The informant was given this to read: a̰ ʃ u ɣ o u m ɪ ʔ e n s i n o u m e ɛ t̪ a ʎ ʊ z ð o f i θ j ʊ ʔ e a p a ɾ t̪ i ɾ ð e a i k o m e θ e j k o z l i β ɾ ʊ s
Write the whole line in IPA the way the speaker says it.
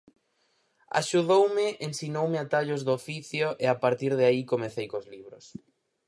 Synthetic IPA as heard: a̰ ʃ u ð o w m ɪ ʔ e n s i n o w m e a t̪ a ʎ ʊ z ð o f i θ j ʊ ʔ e a p a ɾ t̪ i ɾ ð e a i k o m e θ e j k o z l i β ɾ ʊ s